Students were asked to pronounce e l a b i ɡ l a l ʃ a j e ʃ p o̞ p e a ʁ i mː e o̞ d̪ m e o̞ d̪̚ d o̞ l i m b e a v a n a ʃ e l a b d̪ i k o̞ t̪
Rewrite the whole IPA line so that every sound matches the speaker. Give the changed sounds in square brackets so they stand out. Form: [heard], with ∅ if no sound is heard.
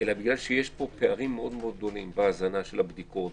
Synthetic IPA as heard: e l a b i ɡ l a l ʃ [e] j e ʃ p o̞ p e a ʁ i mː e o̞ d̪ m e o̞ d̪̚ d o̞ l i m b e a [z] a n a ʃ e l a b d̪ i k o̞ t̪